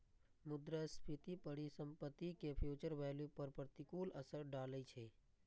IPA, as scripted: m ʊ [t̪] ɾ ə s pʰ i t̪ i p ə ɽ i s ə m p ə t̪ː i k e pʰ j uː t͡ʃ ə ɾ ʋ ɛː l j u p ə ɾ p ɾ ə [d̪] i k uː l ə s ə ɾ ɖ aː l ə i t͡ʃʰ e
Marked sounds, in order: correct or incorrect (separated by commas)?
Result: incorrect, incorrect